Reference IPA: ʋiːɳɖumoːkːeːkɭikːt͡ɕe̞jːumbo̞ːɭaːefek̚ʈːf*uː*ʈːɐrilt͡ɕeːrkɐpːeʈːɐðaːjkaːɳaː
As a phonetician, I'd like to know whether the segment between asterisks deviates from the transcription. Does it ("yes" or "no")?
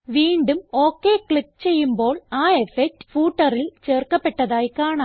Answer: no